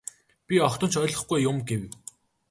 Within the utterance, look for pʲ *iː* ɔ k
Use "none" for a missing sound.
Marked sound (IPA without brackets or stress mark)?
i